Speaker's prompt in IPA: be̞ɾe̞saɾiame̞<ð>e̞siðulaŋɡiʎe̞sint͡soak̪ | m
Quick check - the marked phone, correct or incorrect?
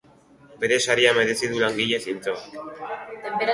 correct